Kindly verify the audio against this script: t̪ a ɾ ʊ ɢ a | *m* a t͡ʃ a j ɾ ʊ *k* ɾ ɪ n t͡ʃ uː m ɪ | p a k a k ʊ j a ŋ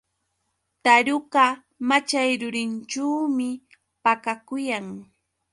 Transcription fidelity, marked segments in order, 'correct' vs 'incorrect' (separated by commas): correct, incorrect